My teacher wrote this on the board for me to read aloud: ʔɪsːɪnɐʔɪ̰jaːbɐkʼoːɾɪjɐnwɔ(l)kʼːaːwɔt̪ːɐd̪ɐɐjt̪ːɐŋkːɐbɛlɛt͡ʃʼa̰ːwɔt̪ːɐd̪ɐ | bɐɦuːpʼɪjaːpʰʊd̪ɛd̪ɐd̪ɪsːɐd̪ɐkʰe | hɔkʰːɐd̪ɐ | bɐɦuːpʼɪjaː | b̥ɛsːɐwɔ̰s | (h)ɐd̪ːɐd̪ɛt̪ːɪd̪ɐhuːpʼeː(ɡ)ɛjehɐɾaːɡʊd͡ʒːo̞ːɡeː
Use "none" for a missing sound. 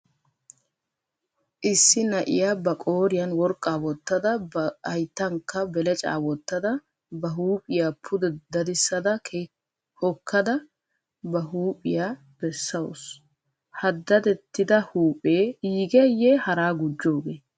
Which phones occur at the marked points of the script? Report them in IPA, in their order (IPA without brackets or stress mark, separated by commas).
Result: ɾ, h, ɡ